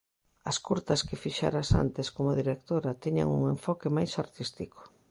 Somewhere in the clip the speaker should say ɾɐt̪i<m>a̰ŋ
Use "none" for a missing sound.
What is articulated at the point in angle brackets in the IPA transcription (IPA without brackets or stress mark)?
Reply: ɲ